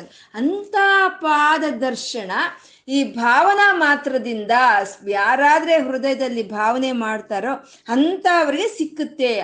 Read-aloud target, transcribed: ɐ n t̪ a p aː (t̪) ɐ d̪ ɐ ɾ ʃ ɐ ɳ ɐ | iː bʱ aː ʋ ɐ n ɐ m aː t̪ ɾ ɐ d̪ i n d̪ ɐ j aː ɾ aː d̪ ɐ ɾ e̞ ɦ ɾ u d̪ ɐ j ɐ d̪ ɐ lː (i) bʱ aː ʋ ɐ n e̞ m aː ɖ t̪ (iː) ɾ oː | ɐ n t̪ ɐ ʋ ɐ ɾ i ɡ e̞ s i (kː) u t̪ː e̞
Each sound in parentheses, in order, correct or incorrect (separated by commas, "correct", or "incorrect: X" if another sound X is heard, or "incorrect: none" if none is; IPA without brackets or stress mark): incorrect: d̪, correct, incorrect: aː, correct